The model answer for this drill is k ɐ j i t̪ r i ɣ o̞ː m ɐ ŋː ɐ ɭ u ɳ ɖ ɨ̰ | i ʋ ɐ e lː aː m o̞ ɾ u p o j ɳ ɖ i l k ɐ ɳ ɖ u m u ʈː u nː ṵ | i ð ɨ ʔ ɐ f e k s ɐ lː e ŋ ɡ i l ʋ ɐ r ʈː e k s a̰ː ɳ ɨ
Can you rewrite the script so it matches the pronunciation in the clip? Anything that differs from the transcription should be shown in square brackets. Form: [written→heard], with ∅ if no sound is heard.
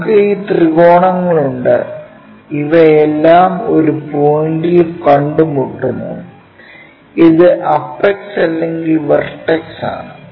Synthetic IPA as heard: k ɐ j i t̪ r i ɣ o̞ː [m→ɳ] ɐ ŋː ɐ ɭ u ɳ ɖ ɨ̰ | i ʋ ɐ e lː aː m o̞ ɾ u p o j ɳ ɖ i l k ɐ ɳ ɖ u m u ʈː u nː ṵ | i ð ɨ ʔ ɐ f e k s ɐ lː e ŋ ɡ i l ʋ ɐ r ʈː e k s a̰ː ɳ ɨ